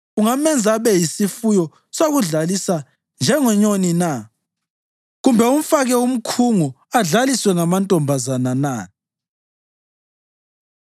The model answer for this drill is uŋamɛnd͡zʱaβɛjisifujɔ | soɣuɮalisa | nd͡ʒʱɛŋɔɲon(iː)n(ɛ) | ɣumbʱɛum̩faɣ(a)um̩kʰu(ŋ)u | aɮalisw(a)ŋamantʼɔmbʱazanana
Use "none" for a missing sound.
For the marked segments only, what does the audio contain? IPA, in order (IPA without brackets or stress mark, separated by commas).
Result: i, a, ɛ, ŋ, ɛ